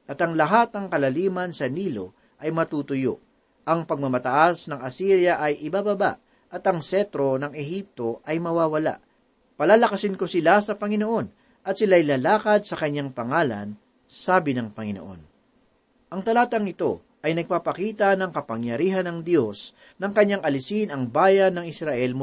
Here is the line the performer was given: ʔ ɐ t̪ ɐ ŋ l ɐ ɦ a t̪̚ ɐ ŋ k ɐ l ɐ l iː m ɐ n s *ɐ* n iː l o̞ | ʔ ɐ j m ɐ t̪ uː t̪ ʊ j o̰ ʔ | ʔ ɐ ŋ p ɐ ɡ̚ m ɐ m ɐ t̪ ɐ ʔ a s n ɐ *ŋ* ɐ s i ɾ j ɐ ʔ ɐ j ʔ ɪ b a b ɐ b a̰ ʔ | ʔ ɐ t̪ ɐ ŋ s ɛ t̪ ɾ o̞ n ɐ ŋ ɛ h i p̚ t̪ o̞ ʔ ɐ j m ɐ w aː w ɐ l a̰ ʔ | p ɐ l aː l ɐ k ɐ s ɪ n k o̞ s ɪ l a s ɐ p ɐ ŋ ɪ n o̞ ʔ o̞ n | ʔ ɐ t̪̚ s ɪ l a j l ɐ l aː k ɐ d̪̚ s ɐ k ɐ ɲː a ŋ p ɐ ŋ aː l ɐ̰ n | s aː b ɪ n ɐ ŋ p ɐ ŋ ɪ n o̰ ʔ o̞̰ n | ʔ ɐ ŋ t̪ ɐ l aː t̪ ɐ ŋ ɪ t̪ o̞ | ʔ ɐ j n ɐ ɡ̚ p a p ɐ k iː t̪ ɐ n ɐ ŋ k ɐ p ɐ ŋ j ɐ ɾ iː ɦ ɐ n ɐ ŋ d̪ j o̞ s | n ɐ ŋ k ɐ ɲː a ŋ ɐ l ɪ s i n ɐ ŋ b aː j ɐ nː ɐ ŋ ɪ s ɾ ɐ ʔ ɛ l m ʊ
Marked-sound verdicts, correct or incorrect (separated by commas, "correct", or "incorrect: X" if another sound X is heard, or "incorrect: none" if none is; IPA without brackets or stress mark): correct, correct